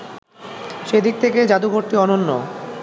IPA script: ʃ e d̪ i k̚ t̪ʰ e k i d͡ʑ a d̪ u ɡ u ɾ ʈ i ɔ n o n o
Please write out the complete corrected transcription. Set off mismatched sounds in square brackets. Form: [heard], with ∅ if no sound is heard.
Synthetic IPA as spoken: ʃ e d̪ i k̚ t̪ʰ e k [e] d͡ʑ a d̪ u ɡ [o] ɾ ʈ i ɔ n o [nː] o